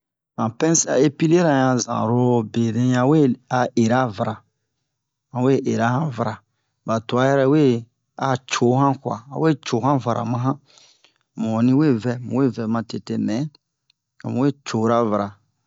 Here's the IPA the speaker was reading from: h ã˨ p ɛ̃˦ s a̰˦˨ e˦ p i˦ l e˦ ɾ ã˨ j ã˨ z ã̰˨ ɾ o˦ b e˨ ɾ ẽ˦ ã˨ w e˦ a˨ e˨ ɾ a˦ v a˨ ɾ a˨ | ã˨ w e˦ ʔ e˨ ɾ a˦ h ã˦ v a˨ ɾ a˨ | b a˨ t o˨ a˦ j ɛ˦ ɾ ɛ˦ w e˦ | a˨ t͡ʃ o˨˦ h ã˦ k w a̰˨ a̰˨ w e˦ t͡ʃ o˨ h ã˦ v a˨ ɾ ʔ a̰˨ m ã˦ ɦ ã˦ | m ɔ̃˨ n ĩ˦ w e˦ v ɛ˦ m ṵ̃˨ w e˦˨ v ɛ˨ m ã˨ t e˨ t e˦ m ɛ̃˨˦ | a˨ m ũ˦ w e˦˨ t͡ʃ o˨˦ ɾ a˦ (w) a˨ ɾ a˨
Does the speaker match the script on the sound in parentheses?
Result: no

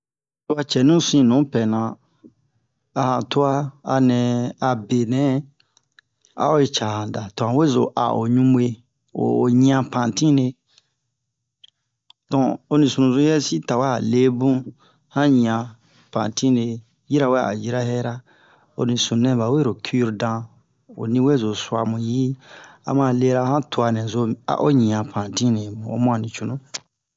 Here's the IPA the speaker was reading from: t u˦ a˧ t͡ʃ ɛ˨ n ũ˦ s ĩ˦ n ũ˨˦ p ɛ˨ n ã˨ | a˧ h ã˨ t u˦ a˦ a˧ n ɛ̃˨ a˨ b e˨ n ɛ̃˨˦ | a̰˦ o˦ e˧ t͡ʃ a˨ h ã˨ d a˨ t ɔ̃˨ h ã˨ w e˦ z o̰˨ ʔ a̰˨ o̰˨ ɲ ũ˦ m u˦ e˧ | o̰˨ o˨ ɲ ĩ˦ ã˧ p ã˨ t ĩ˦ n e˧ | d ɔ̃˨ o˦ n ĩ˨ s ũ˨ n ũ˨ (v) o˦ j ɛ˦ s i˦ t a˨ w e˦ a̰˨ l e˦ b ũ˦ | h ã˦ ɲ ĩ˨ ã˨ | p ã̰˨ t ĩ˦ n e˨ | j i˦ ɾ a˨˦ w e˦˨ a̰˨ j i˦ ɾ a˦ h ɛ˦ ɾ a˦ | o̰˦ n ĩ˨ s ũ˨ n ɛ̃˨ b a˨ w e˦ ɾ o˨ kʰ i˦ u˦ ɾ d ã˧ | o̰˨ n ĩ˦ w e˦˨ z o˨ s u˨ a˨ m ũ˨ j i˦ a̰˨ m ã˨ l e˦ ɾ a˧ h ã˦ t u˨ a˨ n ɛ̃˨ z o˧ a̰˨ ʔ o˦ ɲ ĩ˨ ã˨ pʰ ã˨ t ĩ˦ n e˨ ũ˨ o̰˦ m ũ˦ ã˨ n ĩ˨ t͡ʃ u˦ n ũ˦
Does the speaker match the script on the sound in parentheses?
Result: no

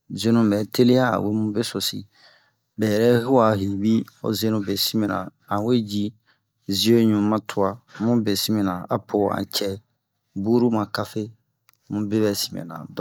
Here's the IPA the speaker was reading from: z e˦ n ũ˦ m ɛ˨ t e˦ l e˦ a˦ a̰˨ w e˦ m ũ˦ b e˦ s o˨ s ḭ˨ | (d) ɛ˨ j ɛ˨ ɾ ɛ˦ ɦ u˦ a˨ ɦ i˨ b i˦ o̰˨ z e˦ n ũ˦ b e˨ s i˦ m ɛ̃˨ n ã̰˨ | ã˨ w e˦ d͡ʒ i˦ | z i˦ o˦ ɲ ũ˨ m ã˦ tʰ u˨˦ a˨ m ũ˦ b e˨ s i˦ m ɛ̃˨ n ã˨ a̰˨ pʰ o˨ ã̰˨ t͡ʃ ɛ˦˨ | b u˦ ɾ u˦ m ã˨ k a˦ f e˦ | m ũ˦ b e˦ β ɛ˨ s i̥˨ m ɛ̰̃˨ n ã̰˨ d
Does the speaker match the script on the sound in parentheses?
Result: no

